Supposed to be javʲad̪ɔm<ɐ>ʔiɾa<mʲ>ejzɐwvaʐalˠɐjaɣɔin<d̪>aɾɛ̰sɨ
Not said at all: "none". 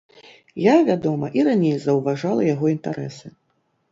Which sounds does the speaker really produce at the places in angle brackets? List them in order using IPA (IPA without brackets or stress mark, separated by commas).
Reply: ɐ, nʲ, t̪